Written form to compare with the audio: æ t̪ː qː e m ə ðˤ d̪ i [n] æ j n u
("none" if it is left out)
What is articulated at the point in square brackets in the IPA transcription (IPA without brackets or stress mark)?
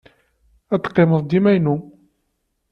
m